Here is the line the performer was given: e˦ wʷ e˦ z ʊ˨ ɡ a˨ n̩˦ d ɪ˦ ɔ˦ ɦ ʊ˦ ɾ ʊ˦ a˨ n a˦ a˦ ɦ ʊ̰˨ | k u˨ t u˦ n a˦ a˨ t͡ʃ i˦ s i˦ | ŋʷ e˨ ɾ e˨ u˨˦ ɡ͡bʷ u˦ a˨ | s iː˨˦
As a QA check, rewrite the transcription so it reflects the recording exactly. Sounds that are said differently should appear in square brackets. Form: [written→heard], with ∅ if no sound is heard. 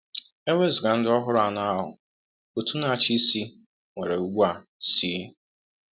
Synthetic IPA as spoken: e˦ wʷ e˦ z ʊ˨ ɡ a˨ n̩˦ d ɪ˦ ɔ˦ ɦ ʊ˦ ɾ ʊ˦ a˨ n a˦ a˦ ɦ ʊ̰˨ | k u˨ t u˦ n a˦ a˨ t͡ʃ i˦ s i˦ | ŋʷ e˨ ɾ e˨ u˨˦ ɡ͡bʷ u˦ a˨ | s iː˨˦